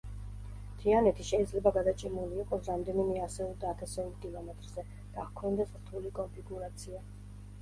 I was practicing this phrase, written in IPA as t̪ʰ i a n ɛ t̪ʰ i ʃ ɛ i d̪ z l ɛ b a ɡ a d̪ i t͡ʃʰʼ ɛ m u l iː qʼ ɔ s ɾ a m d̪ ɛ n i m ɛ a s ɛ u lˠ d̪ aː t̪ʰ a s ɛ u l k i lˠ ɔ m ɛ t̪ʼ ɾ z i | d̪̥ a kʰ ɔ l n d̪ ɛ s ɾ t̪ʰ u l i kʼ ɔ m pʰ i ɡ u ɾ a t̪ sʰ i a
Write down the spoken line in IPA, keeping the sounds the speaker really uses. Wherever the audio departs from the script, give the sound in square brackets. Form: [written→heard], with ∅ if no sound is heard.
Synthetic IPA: t̪ʰ i a n ɛ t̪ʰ i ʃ ɛ i d̪ z l ɛ b a ɡ a d̪ [i→a] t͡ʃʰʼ ɛ m u l iː qʼ ɔ s ɾ a m d̪ ɛ n i m ɛ a s ɛ u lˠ d̪ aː t̪ʰ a s ɛ u l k i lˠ ɔ m ɛ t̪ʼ ɾ z [i→ɛ] | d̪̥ a kʰ ɔ [l→∅] n d̪ ɛ s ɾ t̪ʰ u l i kʼ ɔ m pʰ i ɡ u ɾ a t̪ sʰ i a